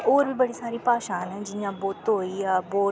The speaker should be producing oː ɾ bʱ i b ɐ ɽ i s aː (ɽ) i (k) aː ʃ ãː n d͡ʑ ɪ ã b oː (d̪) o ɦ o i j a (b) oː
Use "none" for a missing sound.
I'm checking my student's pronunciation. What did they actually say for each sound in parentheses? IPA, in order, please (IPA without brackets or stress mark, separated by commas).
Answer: ɾ, p, t̪, b